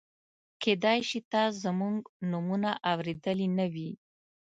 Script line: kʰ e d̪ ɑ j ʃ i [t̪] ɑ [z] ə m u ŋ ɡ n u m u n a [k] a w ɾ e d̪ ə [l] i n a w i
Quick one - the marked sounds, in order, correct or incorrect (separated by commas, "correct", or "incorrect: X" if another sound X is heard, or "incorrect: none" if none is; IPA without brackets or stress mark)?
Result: correct, correct, incorrect: ʔ, correct